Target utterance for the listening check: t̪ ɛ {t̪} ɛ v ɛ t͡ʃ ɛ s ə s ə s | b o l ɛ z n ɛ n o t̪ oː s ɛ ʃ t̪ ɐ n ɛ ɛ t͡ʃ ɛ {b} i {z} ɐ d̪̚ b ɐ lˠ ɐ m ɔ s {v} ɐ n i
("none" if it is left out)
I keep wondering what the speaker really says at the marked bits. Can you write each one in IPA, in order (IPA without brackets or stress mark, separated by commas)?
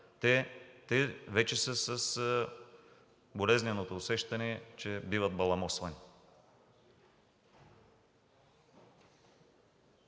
t̪, b, v, v